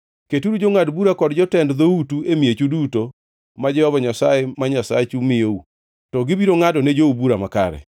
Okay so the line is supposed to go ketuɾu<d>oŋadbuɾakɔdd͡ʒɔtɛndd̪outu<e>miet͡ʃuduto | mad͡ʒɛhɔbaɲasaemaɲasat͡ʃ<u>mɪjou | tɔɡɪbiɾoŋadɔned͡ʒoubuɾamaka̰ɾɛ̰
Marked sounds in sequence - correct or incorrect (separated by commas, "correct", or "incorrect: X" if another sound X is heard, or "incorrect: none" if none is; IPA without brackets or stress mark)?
incorrect: d͡ʒ, correct, correct